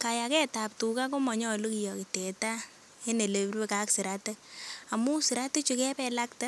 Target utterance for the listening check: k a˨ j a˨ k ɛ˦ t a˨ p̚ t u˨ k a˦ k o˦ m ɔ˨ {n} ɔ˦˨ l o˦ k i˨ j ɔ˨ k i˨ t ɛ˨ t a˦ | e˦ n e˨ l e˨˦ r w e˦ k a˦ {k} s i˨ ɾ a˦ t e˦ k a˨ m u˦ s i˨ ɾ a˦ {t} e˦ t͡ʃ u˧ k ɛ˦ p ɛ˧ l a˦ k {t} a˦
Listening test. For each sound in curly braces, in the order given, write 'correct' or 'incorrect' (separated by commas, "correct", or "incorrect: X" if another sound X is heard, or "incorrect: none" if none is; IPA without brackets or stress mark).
incorrect: ɲ, correct, correct, correct